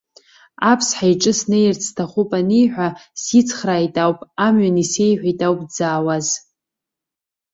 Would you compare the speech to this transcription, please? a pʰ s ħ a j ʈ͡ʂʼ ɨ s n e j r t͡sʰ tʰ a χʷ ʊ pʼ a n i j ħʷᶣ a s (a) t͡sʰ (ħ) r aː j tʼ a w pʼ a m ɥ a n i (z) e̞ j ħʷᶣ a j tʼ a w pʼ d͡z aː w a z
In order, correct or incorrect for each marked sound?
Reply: incorrect, incorrect, incorrect

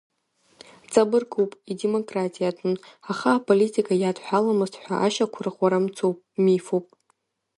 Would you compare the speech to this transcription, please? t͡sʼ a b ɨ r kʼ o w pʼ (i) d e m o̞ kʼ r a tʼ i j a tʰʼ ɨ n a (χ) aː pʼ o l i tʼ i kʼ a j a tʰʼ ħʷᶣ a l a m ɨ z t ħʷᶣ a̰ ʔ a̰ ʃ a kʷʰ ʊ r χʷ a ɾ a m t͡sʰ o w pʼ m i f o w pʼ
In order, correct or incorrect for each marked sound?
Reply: correct, correct

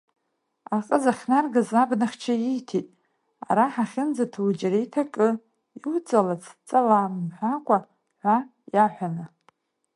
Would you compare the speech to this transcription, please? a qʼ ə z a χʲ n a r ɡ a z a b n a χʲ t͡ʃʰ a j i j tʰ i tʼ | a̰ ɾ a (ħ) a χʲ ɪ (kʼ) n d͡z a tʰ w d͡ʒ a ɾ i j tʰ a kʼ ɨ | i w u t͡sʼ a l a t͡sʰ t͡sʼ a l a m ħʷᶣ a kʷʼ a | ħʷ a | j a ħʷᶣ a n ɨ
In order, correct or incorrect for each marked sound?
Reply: correct, incorrect

